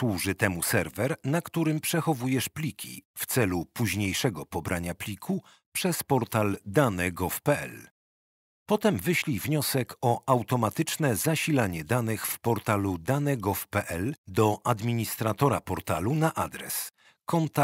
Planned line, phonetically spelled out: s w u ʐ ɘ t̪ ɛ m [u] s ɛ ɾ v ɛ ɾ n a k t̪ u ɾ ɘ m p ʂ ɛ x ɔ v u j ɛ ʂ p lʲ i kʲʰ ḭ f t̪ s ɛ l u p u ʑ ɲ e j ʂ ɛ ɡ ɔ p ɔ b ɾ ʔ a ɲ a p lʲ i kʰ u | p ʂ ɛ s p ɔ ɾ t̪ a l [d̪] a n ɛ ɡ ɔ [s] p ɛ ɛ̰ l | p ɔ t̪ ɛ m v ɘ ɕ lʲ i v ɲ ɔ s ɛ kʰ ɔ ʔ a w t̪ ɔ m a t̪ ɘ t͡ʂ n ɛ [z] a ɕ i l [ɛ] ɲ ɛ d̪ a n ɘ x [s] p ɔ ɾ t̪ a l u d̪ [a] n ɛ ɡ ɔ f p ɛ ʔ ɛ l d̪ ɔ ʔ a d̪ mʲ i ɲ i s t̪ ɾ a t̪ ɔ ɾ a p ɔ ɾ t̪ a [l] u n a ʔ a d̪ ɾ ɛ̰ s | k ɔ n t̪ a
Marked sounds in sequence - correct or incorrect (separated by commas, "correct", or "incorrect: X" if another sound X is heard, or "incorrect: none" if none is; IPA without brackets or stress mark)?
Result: correct, correct, incorrect: f, correct, incorrect: a, incorrect: f, correct, correct